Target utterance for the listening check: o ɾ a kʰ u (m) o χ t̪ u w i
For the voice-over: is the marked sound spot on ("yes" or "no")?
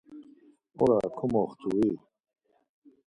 yes